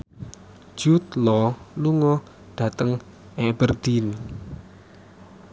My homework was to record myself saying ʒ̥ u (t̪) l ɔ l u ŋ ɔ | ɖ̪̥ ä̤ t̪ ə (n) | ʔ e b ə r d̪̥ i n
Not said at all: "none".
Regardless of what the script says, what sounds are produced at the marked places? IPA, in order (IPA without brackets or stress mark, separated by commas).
t̪, ŋ